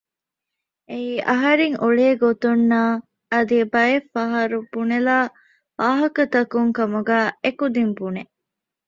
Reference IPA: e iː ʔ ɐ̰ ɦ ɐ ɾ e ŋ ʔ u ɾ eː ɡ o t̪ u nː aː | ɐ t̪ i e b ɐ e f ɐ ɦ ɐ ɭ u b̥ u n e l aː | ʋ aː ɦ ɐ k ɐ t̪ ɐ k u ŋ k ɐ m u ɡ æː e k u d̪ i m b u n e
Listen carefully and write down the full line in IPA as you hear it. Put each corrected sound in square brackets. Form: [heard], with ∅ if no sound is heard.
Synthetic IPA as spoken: e iː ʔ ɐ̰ ɦ ɐ ɾ e ŋ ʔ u [ɭ] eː ɡ o t̪ u nː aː | ɐ [d̪] i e b ɐ e f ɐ ɦ ɐ [ɾ] u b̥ u n e l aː | ʋ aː ɦ ɐ k ɐ t̪ ɐ k u ŋ k ɐ m u ɡ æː e k u d̪ i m b u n e